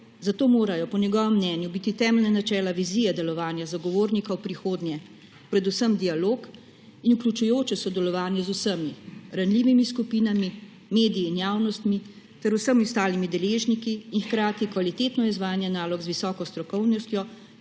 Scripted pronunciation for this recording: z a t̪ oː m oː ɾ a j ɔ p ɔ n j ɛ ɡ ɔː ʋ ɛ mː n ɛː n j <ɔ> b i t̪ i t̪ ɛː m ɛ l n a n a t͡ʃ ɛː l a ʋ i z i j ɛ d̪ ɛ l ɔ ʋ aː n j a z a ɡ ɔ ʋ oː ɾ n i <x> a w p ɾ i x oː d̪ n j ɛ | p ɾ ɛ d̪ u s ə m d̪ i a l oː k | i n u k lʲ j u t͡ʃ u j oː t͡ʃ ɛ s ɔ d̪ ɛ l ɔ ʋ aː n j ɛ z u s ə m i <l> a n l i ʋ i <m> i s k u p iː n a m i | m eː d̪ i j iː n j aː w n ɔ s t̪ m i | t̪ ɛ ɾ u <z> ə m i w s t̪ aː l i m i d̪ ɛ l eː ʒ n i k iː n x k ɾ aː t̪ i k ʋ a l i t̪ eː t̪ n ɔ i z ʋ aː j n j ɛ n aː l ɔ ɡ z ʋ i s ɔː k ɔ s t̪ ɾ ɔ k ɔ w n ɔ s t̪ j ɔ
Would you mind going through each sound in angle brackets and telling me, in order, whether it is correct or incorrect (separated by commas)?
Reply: incorrect, incorrect, incorrect, correct, incorrect